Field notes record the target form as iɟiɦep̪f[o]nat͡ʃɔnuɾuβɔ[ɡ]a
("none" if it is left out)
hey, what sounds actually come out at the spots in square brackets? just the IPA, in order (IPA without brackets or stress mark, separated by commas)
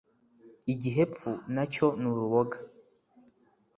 u, ɡ